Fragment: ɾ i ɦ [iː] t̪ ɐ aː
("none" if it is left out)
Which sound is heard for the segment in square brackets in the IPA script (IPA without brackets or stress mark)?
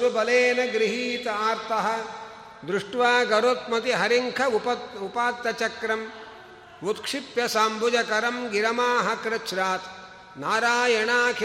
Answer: iː